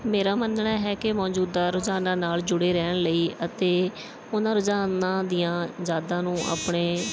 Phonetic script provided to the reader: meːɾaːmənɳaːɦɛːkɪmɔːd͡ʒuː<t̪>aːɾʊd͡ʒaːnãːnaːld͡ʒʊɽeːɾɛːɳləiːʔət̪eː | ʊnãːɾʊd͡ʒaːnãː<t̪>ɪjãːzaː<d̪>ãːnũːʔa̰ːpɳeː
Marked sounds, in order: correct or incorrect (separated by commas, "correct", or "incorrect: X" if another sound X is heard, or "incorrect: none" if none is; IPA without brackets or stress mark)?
incorrect: d̪, incorrect: d̪, correct